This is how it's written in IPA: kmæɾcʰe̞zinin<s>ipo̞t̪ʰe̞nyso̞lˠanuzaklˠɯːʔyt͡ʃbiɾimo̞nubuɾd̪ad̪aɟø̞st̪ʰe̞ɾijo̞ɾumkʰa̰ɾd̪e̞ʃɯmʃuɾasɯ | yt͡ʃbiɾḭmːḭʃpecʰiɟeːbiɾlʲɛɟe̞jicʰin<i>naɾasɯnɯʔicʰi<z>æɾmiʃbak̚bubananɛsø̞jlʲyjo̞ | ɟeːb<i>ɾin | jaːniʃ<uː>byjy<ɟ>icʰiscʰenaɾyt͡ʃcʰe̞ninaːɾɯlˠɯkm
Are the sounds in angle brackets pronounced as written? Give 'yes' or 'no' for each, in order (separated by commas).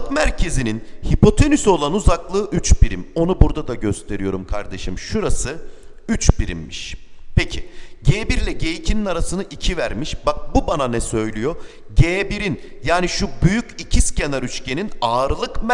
no, yes, no, yes, no, no